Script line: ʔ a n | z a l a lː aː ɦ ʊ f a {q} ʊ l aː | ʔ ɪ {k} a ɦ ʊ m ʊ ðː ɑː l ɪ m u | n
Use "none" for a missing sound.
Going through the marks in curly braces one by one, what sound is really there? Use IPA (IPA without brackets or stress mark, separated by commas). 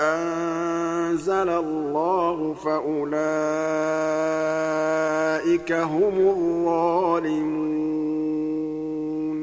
ʔ, k